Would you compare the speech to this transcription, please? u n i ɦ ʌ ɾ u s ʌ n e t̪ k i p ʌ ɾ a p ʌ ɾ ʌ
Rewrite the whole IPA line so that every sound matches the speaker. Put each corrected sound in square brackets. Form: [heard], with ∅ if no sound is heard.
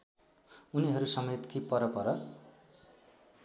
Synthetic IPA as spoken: u n i ɦ ʌ ɾ u s ʌ [m] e t̪ k i p ʌ ɾ [ʌ] p ʌ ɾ ʌ